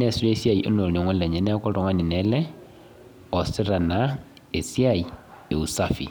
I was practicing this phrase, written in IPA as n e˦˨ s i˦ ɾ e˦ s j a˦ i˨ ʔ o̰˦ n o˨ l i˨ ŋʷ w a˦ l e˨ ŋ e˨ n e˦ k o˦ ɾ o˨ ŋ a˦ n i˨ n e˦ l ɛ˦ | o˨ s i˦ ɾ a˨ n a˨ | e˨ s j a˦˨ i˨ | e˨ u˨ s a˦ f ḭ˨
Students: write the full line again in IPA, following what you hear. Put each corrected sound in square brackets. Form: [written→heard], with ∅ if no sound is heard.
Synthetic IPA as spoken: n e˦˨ s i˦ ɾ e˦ s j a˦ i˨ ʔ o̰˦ n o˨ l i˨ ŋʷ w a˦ l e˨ [ŋ→ɲ] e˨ n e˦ k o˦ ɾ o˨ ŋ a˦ n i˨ n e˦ l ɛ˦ | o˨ s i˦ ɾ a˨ n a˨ | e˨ s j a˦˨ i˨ | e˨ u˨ s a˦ f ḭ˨